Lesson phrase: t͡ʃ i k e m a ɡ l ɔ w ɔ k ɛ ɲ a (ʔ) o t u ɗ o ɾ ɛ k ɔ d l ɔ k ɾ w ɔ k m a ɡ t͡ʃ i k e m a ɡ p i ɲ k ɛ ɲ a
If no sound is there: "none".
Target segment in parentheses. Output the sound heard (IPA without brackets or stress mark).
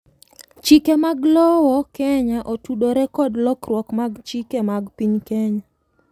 ʔ